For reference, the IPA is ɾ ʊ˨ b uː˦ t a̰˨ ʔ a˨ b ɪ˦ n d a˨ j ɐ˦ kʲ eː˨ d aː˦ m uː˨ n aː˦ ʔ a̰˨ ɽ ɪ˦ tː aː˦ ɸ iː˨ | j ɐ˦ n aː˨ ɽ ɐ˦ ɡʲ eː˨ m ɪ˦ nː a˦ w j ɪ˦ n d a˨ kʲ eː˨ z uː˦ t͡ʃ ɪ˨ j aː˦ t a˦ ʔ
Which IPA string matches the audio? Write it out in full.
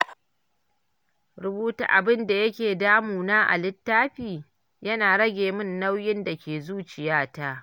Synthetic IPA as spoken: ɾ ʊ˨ b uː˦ t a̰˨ ʔ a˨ b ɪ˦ n d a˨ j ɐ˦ kʲ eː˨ d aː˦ m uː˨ n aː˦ ʔ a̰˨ l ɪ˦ tː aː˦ ɸ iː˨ | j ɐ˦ n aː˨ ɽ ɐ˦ ɡʲ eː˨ m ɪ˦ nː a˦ w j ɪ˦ n d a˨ kʲ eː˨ z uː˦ t͡ʃ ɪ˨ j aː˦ t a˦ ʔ

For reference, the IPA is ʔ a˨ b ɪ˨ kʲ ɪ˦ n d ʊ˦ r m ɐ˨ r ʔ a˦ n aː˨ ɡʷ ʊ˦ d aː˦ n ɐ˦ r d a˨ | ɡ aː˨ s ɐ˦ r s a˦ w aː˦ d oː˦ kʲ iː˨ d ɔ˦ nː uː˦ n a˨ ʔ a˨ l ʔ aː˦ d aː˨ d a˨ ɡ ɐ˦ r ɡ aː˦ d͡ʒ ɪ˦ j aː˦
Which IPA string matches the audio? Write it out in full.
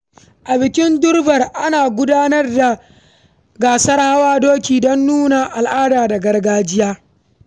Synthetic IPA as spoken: ʔ a˨ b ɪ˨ kʲ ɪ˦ n d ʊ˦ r b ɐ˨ r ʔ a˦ n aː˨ ɡʷ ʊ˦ d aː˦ n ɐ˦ r d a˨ | ɡ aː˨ s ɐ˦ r h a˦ w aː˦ d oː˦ kʲ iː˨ d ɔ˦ nː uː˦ n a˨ ʔ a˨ l ʔ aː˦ d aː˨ d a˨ ɡ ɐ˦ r ɡ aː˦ d͡ʒ ɪ˦ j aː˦

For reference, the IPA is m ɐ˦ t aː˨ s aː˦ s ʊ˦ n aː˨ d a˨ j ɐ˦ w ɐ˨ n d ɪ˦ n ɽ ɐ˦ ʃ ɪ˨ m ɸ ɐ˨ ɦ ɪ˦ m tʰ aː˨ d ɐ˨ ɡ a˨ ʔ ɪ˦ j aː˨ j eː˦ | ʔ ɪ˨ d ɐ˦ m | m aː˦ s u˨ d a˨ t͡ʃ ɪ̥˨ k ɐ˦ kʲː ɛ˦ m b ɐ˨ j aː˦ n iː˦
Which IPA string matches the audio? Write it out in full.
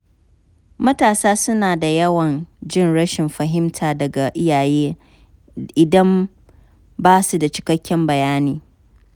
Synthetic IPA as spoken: m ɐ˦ t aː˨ s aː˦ s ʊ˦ n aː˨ d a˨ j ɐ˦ w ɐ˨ n d͡ʒ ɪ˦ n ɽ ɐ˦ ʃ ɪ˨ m ɸ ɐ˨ ɦ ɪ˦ m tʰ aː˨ d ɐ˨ ɡ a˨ ʔ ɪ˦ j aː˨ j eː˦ | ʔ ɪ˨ d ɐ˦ m | b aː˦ s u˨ d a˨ t͡ʃ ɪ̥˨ k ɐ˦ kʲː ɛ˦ m b ɐ˨ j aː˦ n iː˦

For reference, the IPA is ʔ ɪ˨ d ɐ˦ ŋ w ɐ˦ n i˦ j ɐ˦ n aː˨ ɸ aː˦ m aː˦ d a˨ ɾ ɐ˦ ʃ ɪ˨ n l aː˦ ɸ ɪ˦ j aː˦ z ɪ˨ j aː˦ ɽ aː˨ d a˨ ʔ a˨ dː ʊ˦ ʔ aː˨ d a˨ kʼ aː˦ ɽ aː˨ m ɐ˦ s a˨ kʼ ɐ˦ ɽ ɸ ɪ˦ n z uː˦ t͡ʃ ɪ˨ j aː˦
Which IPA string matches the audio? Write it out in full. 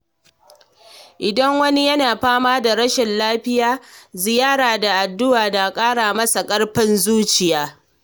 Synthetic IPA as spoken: ʔ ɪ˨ d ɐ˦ ŋ w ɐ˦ n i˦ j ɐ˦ n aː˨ ɸ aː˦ m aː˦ d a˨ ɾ ɐ˦ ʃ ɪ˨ n l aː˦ ɸ ɪ˦ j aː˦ z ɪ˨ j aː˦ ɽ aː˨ d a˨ ʔ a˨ dː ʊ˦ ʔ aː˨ d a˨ kʼ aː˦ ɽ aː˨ m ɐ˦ s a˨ kʼ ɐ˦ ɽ ɸ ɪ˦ n z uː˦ t͡ʃ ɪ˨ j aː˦

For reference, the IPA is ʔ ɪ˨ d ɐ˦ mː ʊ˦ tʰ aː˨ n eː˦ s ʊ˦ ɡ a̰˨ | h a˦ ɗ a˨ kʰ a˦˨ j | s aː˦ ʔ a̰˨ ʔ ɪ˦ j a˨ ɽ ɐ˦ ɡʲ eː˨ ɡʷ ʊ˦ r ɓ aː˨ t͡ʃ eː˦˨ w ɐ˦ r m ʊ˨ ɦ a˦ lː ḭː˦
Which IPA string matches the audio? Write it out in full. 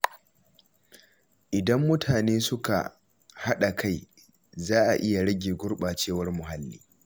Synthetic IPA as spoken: ʔ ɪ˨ d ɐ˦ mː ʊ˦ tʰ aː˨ n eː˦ s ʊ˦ k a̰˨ | h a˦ ɗ a˨ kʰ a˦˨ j | z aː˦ ʔ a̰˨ ʔ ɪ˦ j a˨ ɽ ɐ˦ ɡʲ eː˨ ɡʷ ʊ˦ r ɓ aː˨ t͡ʃ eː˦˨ w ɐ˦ r m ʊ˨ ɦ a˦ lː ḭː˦

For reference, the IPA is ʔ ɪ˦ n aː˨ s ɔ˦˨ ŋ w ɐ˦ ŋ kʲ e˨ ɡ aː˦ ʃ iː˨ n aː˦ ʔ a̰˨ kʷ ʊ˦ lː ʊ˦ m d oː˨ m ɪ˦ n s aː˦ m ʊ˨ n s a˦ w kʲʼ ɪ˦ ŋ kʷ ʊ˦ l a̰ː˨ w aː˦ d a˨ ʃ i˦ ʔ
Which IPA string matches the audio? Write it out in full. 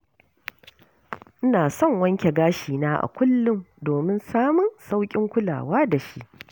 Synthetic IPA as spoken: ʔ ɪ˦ n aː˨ s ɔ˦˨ ŋ w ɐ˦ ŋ kʲ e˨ ɡ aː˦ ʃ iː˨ n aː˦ ʔ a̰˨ kʷ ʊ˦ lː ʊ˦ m d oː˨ m ɪ˦ n s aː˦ m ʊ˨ n s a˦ w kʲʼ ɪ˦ ŋ kʷ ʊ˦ l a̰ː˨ w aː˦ d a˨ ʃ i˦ ʔ

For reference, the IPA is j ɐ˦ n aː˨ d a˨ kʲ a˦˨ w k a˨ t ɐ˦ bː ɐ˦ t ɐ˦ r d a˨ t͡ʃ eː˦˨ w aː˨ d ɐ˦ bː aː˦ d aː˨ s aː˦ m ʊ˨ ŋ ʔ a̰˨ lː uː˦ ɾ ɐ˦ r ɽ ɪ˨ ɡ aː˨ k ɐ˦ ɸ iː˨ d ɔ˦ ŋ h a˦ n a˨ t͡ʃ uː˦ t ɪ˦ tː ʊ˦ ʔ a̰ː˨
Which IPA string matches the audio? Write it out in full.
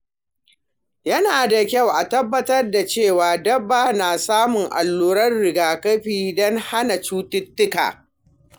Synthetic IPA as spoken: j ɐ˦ n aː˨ d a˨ kʲ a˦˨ w ʔ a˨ t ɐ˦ bː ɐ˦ t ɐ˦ r d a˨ t͡ʃ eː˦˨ w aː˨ d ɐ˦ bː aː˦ n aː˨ s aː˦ m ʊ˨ ŋ ʔ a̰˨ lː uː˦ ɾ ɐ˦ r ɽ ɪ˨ ɡ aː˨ k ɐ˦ ɸ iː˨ d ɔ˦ ŋ h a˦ n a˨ t͡ʃ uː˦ t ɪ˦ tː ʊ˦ k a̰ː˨

